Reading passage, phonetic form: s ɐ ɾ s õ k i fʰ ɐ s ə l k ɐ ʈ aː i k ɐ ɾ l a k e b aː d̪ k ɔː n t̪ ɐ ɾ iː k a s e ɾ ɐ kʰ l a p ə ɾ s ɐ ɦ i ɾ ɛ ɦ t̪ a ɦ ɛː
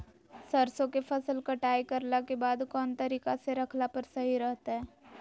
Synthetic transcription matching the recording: s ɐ ɾ s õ k e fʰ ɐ s ə l k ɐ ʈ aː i k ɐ ɾ l a k e b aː d̪ k ɔː n t̪ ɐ ɾ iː k a s e ɾ ɐ kʰ l a p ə ɾ s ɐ ɦ i ɾ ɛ ɦ t̪ a ɦ ɛː

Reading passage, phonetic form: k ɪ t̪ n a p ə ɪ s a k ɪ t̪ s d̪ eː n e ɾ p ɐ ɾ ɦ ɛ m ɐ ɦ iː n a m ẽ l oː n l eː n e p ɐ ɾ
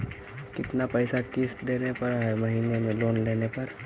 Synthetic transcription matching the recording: k ɪ t̪ n a p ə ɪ s a k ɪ s d̪ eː n e p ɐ ɾ ɦ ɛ m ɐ ɦ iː n e m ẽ l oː n l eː n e p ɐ ɾ

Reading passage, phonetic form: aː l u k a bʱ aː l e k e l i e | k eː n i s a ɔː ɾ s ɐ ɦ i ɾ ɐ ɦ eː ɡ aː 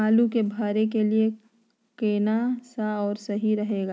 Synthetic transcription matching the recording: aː l u k e bʱ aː ɾ e k e l i e | k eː n a s a ɔː ɾ s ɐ ɦ i ɾ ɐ ɦ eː ɡ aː

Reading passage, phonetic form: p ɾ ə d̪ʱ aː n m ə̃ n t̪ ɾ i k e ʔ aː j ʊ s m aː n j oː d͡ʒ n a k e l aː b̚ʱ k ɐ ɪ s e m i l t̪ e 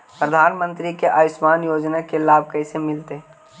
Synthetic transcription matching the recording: p ɾ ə d̪ʱ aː n m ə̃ n t̪ ɾ i k e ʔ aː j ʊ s m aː n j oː d͡ʒ n a k e l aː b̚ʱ k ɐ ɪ s e m ɪ l t̪ e

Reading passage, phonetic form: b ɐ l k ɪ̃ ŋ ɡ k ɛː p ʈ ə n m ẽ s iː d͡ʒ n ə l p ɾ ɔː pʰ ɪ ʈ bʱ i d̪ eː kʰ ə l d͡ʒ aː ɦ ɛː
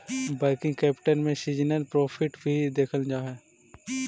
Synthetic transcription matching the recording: b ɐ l k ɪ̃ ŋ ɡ k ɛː p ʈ ə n m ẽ s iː d͡ʒ n ə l p ɾ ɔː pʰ ɪ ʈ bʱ i d̪ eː kʰ ə l d͡ʒ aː ɦ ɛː

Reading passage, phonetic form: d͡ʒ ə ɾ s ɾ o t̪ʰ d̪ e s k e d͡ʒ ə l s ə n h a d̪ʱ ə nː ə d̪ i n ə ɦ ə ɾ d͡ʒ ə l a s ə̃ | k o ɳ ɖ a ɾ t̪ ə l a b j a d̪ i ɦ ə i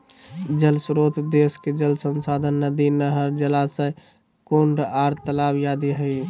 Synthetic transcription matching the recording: d͡ʒ ə l s ɾ o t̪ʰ d̪ e s k e d͡ʒ ə l s ə n s a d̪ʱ ə nː ə d̪ i n ə ɦ ə ɾ d͡ʒ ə l a s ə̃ | k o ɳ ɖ a ɾ t̪ ə l a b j a d̪ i ɦ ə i

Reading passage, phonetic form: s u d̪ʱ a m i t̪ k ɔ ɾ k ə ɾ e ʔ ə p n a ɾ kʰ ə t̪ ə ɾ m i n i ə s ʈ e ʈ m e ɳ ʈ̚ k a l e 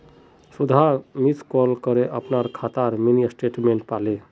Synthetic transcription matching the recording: s u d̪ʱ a m i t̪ k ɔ l k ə ɾ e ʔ ə p n a ɾ kʰ a t̪ a ɾ m i n i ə s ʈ e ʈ m e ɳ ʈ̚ p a l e

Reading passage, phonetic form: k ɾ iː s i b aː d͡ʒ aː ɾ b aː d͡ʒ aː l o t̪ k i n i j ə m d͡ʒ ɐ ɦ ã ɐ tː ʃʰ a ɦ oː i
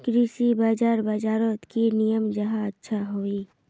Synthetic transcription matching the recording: k ɾ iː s i b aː d͡ʒ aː ɾ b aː d͡ʒ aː ɾ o t̪ k i n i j ə m d͡ʒ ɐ ɦ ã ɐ tː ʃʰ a ɦ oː i

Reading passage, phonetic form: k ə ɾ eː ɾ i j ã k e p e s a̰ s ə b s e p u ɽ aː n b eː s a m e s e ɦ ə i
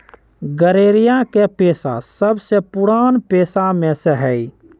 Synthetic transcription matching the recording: ɡ ə ɾ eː ɾ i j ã k e p e s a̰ s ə b s e p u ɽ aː n p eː s a m e s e ɦ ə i

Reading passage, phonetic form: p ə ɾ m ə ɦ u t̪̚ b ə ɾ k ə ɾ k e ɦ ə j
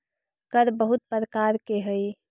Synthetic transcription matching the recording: k ə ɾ b ə ɦ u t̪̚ p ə ɾ k a ɾ k e ɦ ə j

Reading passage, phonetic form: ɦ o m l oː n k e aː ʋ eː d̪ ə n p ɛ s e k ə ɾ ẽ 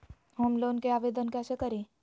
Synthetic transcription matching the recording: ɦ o m l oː n k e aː ʋ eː d̪ ə n k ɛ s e k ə ɾ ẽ

